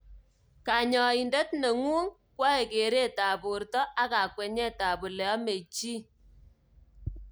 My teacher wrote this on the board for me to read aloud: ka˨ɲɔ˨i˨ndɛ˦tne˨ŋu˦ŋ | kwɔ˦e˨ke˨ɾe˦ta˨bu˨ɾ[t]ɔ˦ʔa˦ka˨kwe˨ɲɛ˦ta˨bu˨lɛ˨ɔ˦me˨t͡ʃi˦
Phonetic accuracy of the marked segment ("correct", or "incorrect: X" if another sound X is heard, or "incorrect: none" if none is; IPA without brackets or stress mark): correct